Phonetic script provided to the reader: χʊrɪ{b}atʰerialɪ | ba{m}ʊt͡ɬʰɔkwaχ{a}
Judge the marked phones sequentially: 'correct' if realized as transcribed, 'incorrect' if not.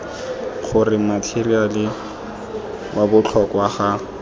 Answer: incorrect: m, incorrect: b, correct

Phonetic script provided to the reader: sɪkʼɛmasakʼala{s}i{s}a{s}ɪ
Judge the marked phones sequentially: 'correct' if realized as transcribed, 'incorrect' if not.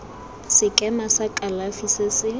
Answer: incorrect: f, correct, correct

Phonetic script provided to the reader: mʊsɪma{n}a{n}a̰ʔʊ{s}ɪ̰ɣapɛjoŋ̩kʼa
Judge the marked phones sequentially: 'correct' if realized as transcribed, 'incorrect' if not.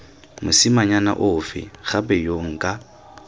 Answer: incorrect: ɲ, correct, incorrect: f

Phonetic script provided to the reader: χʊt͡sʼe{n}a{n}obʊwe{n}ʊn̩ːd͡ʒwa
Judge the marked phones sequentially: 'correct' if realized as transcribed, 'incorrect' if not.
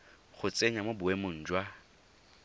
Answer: incorrect: ɲ, incorrect: m, incorrect: m

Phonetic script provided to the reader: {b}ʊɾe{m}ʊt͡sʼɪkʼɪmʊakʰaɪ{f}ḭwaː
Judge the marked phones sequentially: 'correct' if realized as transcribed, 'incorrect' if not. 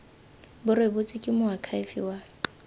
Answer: correct, incorrect: b, correct

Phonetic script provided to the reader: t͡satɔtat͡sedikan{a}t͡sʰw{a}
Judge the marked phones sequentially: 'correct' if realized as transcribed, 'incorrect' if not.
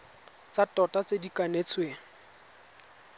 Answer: incorrect: e, incorrect: e

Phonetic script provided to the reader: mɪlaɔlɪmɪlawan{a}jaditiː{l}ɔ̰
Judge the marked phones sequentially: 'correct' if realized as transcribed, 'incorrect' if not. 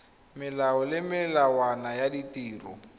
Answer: correct, incorrect: r

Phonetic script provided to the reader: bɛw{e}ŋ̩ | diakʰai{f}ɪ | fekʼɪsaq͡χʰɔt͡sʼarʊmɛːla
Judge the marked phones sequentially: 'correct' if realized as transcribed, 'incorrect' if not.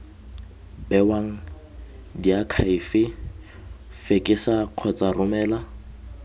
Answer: incorrect: a, correct

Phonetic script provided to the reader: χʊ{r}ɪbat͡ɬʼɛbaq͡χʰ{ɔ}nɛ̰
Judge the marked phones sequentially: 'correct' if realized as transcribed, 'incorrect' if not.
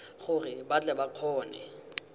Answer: correct, incorrect: ɔː

